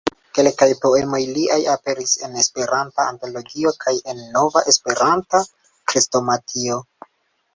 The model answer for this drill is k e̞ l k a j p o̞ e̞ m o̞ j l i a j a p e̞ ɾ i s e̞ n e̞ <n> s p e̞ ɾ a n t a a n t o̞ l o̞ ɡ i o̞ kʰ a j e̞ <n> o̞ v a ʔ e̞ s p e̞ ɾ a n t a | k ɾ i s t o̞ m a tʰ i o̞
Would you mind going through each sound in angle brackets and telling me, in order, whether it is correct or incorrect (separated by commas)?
incorrect, incorrect